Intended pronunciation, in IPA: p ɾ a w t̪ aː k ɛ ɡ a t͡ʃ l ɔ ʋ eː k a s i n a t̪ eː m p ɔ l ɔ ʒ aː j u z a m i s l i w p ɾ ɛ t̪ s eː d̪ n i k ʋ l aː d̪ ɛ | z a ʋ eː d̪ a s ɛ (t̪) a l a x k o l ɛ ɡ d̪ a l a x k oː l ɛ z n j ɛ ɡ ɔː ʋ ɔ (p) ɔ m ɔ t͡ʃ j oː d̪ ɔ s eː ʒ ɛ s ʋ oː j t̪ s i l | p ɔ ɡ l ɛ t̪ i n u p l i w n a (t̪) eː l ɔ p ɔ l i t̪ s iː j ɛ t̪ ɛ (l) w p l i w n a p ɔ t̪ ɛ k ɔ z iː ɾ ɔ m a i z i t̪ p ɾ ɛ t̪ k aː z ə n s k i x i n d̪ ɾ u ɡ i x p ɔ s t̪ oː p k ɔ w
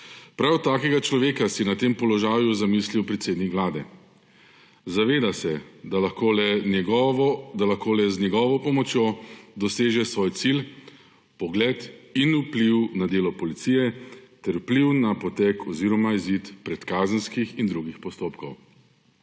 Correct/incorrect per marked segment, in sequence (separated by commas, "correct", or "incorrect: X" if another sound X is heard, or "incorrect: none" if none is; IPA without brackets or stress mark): incorrect: d̪, correct, incorrect: d̪, incorrect: ɾ